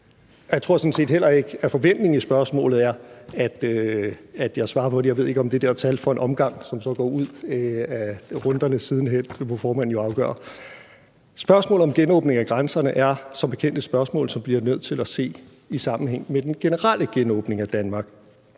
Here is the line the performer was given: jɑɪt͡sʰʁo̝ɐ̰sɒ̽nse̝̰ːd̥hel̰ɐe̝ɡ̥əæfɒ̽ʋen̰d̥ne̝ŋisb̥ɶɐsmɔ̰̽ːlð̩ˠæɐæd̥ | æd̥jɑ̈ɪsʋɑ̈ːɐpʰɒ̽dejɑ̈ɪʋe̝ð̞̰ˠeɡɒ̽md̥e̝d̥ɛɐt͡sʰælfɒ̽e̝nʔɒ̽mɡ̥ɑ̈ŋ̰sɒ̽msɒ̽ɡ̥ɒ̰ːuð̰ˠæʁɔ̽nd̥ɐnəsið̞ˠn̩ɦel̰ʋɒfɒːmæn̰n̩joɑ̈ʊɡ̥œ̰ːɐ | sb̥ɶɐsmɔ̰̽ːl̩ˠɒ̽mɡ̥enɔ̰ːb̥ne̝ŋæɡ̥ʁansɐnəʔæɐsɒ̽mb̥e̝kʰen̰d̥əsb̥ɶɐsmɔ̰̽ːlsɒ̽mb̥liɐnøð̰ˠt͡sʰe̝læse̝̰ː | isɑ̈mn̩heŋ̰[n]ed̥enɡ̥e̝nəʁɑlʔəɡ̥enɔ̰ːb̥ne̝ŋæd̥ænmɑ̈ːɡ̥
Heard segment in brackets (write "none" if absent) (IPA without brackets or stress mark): m